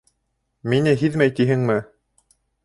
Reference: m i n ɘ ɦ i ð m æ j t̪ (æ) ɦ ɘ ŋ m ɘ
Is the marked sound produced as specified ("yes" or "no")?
no